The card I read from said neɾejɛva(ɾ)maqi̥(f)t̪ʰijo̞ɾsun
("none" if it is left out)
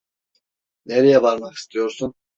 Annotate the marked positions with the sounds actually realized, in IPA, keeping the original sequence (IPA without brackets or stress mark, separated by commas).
ɾ, s